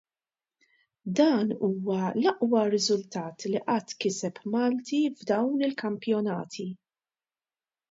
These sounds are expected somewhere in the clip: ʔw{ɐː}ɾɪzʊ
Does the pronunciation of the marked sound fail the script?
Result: yes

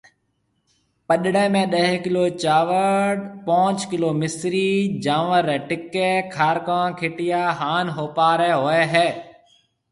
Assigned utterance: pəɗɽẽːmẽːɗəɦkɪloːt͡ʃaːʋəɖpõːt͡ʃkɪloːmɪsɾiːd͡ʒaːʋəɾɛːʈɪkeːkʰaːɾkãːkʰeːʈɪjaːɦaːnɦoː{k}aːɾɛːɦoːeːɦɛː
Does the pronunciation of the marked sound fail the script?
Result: yes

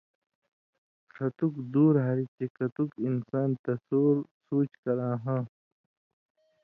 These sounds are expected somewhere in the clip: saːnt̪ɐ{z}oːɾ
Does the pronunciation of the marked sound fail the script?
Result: yes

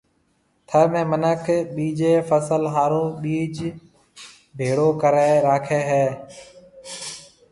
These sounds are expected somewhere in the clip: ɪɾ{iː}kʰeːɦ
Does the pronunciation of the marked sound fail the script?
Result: yes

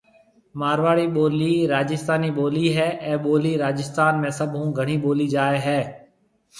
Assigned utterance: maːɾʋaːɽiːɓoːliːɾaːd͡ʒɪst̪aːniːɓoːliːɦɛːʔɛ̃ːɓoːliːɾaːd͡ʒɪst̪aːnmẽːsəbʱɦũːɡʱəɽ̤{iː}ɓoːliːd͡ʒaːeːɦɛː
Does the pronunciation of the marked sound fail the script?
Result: no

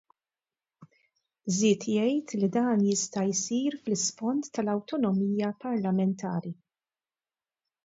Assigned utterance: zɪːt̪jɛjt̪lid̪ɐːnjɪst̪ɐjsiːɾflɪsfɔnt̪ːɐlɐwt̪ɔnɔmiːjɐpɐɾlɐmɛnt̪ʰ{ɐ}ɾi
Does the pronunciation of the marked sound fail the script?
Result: yes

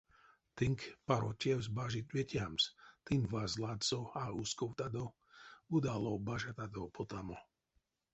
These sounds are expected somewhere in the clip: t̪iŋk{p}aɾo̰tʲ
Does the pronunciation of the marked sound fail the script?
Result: no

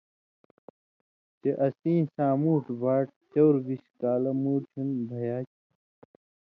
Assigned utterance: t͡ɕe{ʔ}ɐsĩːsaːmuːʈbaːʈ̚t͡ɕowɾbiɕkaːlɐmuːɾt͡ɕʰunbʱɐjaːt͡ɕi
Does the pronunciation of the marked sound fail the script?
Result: no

